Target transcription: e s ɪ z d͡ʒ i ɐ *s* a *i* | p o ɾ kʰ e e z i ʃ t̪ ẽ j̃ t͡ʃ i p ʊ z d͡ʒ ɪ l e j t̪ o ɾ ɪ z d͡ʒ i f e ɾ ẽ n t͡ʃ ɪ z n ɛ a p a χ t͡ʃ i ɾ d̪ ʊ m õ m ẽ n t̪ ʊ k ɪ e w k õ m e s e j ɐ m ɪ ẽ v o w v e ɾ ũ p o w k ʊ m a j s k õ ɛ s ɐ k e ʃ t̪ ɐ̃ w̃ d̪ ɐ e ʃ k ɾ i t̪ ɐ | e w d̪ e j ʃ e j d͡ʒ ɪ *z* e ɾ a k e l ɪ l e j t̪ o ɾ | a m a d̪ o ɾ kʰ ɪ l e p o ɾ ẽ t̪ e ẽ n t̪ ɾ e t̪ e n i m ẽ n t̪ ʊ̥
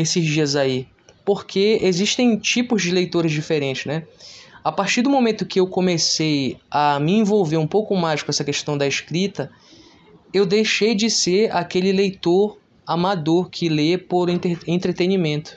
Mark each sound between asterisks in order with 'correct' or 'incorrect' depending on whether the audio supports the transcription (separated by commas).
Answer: incorrect, correct, incorrect